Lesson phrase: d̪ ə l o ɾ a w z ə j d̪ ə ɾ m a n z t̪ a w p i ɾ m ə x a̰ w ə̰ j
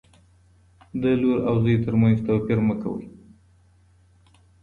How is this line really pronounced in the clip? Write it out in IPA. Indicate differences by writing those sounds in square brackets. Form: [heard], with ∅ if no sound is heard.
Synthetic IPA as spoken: d̪ ə l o ɾ a w z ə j [t̪] ə ɾ m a n z t̪ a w p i ɾ m ə [k] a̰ w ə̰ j